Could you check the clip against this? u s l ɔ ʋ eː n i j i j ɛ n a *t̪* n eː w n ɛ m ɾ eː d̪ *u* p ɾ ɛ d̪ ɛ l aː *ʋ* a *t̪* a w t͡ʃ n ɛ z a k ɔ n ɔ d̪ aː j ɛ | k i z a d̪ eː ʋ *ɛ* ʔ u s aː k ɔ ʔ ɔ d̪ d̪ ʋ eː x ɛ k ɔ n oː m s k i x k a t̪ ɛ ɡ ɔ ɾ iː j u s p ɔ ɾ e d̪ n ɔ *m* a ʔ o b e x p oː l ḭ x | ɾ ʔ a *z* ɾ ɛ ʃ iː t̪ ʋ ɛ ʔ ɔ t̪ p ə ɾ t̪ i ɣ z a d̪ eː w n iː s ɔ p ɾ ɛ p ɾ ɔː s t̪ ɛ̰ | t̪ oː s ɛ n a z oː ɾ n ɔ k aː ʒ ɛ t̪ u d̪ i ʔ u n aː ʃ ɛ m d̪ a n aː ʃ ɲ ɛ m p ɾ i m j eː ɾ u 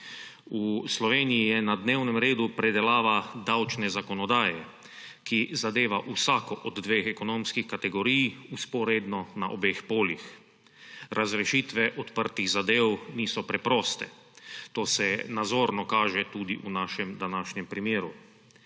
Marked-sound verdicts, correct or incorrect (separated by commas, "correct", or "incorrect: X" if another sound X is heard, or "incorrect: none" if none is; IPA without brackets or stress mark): incorrect: d̪, correct, correct, incorrect: d̪, incorrect: a, incorrect: n, correct